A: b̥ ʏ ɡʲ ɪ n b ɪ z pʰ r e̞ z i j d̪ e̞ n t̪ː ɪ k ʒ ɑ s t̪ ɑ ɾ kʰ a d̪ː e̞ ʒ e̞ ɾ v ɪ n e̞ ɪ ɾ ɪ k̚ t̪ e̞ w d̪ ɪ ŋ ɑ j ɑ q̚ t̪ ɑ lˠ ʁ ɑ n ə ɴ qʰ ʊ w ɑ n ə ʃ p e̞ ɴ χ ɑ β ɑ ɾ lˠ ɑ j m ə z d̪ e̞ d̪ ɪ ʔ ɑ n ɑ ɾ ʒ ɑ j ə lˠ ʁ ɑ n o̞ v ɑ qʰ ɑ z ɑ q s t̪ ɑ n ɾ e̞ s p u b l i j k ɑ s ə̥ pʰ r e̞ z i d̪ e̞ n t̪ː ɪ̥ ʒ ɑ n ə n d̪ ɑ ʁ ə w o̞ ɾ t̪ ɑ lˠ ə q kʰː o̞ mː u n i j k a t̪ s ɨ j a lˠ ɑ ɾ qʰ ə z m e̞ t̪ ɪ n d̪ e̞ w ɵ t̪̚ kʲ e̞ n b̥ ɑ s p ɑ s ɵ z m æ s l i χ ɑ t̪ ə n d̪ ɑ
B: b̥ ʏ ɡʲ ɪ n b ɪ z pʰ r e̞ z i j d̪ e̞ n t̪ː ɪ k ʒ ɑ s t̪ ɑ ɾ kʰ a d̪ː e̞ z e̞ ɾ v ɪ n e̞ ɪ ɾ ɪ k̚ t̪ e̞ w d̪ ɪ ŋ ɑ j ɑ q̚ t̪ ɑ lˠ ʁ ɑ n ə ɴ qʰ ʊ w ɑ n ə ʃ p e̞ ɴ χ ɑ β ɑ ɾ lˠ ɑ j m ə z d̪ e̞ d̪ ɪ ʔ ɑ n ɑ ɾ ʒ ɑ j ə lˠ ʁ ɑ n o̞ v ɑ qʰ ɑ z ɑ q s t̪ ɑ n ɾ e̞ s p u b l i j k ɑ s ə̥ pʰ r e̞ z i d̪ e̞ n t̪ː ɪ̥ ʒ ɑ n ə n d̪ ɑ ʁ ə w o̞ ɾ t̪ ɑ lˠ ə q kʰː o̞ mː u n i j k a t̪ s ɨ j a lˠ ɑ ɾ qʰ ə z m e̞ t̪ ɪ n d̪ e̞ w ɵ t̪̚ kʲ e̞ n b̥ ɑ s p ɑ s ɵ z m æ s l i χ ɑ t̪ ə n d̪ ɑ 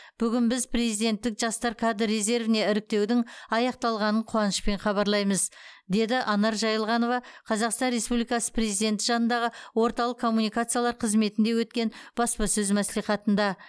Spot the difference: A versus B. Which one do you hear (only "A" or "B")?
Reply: B